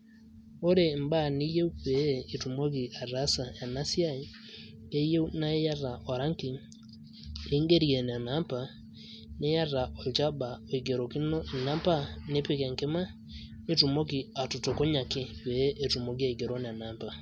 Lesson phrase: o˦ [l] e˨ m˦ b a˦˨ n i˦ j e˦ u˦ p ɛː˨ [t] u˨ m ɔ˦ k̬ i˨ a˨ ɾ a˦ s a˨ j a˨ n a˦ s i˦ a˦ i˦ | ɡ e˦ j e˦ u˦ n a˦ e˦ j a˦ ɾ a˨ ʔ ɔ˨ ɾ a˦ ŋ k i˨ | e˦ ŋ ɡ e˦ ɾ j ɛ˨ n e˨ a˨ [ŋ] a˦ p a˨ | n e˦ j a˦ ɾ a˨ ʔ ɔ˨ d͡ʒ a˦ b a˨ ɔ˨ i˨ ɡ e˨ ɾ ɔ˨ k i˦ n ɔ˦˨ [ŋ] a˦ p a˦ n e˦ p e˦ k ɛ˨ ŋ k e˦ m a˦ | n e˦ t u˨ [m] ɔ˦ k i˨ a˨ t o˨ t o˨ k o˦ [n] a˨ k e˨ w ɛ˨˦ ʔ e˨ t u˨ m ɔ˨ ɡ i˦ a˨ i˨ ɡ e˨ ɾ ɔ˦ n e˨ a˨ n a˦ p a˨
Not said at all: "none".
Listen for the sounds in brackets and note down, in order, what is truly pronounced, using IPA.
ɾ, t, n, n, m, ɲ

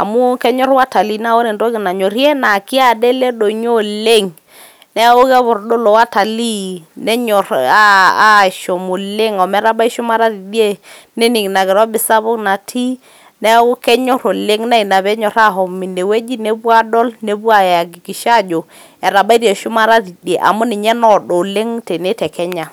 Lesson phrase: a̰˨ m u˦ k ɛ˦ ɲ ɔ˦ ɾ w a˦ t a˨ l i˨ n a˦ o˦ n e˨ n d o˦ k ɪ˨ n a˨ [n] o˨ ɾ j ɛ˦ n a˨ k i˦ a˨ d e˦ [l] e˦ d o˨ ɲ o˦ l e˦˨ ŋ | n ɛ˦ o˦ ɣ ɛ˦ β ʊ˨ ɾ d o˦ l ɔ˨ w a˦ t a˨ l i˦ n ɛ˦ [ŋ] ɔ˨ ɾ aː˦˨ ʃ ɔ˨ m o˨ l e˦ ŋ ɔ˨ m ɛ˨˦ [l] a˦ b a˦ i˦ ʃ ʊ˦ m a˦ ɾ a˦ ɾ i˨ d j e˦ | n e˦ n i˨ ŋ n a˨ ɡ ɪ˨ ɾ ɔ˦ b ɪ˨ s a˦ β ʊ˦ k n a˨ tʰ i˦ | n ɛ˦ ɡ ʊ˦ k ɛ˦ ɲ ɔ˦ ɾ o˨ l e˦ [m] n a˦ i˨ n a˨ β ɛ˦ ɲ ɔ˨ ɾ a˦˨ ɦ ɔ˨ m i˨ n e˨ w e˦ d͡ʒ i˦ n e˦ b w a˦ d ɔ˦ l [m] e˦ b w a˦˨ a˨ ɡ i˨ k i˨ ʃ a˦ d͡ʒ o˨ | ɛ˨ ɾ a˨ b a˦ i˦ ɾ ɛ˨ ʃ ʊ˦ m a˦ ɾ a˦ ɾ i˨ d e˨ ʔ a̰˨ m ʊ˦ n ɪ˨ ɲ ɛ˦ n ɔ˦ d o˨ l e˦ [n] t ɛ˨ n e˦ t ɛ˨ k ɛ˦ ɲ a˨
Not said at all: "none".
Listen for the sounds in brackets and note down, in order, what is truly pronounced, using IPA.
ɲ, l, ɲ, ɾ, ŋ, n, ŋ

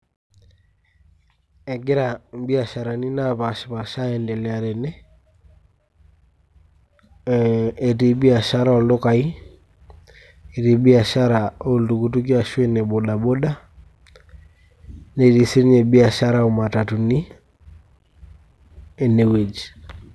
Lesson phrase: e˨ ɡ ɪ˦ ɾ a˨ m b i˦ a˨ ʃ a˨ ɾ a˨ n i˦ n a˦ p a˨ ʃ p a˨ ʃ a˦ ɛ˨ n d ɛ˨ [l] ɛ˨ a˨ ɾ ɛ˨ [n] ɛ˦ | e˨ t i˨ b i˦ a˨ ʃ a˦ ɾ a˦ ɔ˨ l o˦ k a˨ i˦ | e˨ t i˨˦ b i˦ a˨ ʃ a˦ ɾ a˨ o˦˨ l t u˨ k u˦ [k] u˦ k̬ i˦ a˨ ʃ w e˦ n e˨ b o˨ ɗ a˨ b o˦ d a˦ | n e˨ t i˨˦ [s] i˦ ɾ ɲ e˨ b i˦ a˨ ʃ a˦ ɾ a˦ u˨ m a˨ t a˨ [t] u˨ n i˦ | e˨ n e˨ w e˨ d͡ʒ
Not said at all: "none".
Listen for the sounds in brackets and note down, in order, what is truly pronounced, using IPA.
l, n, t, s, t

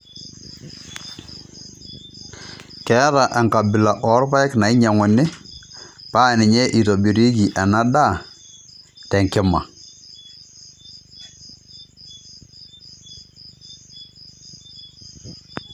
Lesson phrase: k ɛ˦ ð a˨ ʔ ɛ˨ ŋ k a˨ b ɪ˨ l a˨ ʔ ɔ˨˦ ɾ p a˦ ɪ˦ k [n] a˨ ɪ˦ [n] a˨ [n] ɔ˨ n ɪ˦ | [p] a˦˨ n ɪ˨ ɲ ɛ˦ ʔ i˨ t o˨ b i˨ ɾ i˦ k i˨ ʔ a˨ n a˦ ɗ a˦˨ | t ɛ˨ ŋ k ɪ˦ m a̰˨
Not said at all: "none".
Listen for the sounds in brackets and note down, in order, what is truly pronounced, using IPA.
n, ɲ, ŋ, p

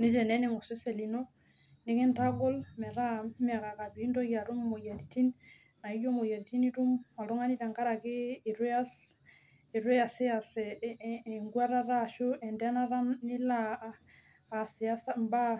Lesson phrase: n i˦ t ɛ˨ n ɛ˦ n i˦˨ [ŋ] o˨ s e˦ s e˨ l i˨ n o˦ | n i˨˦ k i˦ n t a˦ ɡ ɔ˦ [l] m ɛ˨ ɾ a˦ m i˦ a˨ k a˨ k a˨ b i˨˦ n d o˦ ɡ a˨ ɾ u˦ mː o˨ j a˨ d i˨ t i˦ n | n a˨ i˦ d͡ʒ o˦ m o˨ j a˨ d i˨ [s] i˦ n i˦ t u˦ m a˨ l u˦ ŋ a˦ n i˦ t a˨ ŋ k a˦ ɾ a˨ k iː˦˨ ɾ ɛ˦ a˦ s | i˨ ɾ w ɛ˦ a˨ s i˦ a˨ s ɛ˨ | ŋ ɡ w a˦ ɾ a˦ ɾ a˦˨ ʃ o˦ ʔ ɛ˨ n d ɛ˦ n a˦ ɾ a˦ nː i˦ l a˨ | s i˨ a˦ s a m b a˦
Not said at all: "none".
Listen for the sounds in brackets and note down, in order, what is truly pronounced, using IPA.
ŋ, l, t

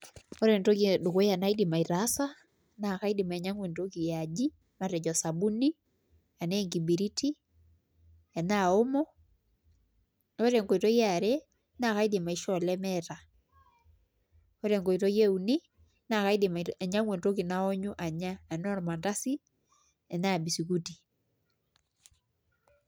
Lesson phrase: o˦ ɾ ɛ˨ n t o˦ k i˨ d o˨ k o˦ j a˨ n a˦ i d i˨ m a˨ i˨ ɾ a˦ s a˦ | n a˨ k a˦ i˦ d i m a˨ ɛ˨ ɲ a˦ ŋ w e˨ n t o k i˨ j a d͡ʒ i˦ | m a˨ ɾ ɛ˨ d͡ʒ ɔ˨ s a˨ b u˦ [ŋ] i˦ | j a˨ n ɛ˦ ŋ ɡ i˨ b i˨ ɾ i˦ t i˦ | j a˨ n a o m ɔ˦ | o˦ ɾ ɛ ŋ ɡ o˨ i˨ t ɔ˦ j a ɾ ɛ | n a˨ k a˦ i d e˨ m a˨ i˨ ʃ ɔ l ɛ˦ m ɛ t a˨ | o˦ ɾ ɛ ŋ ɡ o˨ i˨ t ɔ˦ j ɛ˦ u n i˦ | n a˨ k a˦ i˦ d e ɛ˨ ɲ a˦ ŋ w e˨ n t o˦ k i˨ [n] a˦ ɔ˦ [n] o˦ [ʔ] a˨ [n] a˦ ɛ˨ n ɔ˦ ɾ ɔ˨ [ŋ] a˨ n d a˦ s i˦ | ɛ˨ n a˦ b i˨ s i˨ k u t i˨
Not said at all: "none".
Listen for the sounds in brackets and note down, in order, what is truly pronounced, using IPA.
n, n, ɲ, ʔ, ɲ, m

